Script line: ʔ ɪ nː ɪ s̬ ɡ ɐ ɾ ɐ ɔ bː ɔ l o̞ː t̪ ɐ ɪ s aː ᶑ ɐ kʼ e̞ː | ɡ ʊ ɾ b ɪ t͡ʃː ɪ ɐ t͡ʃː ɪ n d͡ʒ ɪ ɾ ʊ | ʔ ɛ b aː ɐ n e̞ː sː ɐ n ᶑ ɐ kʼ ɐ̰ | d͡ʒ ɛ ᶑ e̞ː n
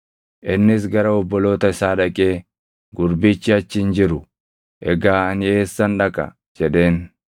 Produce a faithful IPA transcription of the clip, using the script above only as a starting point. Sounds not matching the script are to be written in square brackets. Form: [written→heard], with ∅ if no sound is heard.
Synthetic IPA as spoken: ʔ ɪ nː ɪ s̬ ɡ ɐ ɾ ɐ ɔ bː ɔ l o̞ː t̪ ɐ ɪ s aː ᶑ ɐ kʼ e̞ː | ɡ ʊ ɾ b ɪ t͡ʃː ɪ ɐ t͡ʃː ɪ n d͡ʒ ɪ ɾ ʊ | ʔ ɛ [b→ɡ] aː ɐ n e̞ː sː ɐ n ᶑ ɐ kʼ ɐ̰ | d͡ʒ ɛ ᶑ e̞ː n